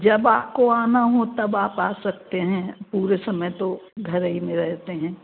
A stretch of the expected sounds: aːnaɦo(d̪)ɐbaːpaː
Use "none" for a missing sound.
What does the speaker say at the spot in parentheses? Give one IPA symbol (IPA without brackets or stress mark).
t̪